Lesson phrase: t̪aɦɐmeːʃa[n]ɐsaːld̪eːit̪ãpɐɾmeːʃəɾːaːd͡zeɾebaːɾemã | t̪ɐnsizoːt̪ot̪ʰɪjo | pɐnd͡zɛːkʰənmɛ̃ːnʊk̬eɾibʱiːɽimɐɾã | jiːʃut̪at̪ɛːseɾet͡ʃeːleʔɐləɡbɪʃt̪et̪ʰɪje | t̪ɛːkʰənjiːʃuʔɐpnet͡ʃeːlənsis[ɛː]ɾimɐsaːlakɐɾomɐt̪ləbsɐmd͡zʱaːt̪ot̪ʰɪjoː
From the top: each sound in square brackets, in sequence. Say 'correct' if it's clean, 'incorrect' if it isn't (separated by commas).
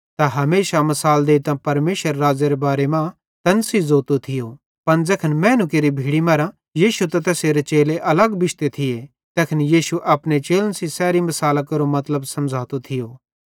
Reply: incorrect, correct